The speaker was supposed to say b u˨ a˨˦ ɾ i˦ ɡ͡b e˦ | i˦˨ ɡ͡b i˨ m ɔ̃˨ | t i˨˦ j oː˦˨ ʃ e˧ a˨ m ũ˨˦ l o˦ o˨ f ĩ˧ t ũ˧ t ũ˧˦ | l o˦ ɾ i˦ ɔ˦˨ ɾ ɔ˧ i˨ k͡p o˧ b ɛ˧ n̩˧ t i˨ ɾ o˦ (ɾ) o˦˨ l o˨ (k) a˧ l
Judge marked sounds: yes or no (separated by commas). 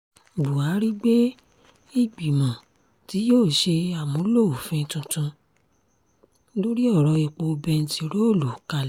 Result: no, yes